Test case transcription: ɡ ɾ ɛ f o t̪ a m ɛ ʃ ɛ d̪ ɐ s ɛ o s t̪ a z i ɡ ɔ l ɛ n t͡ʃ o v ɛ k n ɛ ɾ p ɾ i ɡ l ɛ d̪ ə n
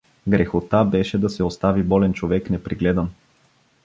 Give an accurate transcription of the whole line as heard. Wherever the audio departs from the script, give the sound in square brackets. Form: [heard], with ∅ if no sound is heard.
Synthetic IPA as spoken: ɡ ɾ ɛ [x] o t̪ a [b] ɛ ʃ ɛ d̪ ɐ s ɛ o s t̪ a [v] i [b] ɔ l ɛ n t͡ʃ o v ɛ k n ɛ [∅] p ɾ i ɡ l ɛ d̪ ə n